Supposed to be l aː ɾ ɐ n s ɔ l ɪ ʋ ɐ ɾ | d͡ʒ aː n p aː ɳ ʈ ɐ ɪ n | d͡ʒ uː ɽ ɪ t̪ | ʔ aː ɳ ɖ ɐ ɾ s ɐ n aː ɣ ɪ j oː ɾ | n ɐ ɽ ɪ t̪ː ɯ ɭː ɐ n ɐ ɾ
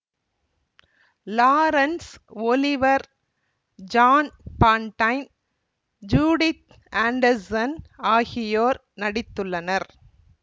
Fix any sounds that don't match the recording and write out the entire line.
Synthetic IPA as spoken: l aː ɾ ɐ n s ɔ l ɪ ʋ ɐ ɾ | d͡ʒ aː n p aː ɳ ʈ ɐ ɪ n | d͡ʒ uː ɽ ɪ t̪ | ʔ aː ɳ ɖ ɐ ɾ s ɐ n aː ɣ ɪ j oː ɾ | n ɐ ɽ ɪ t̪ː ɯ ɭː ɐ n ɐ ɾ